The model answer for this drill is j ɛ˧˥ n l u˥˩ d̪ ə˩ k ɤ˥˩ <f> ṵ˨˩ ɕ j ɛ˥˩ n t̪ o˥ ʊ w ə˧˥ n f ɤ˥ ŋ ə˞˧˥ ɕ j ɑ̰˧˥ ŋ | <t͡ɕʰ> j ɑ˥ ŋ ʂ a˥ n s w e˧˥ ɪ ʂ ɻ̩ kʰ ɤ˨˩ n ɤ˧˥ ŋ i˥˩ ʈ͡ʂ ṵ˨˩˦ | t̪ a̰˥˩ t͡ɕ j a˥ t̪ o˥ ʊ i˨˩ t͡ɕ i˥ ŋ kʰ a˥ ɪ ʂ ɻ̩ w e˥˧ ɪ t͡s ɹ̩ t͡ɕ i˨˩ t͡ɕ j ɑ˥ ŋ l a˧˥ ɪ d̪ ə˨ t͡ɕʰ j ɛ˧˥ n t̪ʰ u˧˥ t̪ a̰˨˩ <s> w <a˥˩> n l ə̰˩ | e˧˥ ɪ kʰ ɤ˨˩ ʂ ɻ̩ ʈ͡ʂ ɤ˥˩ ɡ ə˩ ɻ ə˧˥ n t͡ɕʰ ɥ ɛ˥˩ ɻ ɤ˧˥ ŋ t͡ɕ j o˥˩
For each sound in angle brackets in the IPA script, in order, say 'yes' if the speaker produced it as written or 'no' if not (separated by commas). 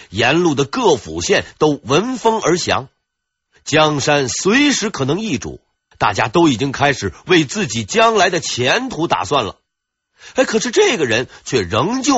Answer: yes, no, yes, yes